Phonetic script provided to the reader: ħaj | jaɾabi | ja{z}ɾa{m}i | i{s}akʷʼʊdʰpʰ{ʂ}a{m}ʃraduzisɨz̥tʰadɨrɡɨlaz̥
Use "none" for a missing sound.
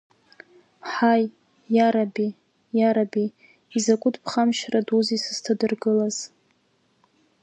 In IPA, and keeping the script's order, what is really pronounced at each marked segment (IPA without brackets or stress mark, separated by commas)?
none, b, z, χ, m